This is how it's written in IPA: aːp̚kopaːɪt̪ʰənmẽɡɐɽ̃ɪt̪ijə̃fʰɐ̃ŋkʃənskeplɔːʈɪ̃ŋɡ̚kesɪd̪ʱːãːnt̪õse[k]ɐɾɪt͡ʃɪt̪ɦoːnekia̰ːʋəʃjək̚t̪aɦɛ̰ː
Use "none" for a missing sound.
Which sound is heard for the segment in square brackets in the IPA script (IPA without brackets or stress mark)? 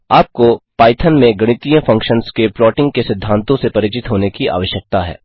p